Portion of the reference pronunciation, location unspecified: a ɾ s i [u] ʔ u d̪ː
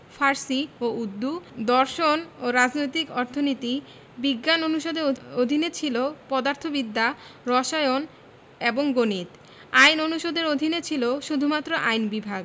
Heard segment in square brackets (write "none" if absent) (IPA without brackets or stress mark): o